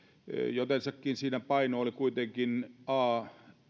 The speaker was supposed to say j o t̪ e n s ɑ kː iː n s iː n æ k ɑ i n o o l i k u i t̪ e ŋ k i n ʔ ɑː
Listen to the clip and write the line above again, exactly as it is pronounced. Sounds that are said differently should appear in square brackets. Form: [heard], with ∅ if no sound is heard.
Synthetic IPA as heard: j o t̪ e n s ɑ kː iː n s iː n æ [p] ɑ i n o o l i k u i t̪ e ŋ k i n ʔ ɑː